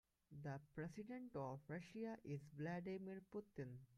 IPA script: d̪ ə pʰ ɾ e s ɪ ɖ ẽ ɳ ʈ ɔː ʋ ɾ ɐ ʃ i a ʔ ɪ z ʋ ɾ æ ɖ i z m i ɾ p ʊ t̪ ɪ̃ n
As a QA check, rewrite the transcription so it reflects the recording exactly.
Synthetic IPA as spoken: d̪ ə p ɾ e s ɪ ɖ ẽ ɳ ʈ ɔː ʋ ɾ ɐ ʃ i a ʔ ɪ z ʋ l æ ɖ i m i ɾ p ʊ t̪ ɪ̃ n